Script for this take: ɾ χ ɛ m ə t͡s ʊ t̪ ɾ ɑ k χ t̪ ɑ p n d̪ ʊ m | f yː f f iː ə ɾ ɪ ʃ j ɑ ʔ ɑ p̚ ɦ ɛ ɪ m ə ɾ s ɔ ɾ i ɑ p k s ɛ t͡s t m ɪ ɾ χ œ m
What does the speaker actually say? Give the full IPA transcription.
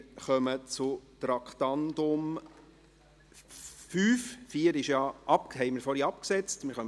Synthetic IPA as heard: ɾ χ œ m ə t͡s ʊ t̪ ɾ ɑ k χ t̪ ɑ n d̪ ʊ m | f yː f f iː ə ɾ ɪ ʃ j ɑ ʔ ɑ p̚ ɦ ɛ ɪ m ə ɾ f ɔ ɾ i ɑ p k s ɛ t͡s t m ɪ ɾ χ œ m